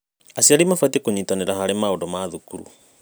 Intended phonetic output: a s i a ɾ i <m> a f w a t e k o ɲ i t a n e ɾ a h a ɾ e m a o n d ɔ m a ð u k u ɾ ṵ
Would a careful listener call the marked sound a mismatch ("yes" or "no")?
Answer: no